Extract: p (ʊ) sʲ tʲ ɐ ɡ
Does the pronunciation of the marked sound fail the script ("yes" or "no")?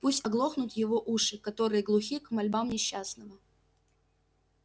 yes